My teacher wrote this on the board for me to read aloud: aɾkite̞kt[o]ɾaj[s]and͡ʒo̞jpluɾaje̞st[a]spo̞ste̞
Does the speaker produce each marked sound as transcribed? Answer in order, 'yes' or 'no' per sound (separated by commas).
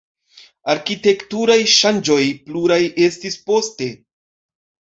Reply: no, no, no